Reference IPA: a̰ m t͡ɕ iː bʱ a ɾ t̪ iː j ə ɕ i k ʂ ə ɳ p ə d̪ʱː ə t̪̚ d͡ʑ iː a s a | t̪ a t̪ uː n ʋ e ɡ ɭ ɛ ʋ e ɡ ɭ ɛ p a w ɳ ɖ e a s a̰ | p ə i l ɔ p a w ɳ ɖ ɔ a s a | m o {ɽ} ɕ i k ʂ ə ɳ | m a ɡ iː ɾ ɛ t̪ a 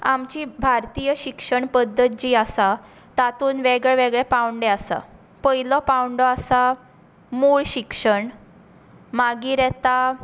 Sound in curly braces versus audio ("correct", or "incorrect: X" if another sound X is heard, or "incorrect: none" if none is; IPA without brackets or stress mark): incorrect: ɭ